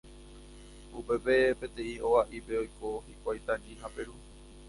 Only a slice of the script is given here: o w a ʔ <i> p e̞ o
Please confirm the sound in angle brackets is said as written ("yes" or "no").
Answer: yes